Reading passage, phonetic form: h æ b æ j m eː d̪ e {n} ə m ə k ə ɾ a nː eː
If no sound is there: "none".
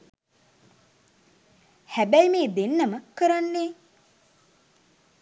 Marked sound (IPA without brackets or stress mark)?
nː